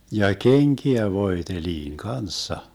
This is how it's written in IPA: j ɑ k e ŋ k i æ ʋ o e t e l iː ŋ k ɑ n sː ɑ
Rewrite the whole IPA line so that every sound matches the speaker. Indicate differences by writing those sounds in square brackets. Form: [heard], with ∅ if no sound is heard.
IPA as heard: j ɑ k e ŋ k i æ ʋ o e t e l iː ŋ k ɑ n sː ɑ